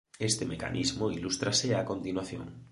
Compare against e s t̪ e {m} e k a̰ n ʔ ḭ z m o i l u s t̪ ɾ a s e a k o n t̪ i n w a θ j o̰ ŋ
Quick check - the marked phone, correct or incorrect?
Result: correct